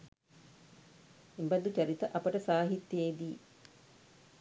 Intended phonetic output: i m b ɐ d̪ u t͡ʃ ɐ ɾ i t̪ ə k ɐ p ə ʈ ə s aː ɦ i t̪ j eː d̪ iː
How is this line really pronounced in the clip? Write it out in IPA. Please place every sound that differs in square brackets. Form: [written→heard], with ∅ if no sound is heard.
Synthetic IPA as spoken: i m b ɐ d̪ u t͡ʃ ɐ ɾ i t̪ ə [k→ʔ] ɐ p ə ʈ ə s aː ɦ i t̪ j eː d̪ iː